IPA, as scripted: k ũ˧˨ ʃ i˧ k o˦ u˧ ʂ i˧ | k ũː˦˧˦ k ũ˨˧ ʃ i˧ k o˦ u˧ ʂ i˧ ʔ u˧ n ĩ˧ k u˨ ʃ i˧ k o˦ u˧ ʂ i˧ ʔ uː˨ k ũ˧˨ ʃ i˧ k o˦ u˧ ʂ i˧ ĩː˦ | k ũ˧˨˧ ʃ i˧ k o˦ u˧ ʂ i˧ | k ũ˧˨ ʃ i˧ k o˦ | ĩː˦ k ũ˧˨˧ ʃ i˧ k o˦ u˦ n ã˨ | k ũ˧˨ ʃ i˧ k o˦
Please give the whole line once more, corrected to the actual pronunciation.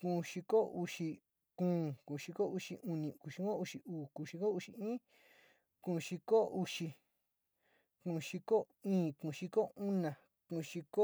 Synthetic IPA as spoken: k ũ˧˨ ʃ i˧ k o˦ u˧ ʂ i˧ | k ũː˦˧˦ k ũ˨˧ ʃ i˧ k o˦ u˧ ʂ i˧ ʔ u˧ n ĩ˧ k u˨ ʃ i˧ k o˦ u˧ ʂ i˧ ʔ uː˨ k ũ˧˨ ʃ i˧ k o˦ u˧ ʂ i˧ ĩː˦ | k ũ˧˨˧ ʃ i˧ k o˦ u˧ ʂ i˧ | k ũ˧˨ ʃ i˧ k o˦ | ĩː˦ k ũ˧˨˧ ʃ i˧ k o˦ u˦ n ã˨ | k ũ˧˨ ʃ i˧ k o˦